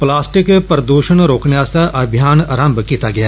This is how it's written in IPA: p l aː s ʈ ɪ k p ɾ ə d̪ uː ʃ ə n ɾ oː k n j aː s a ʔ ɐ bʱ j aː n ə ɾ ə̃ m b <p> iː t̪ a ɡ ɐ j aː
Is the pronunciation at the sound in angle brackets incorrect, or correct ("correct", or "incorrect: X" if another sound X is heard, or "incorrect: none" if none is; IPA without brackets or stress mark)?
incorrect: k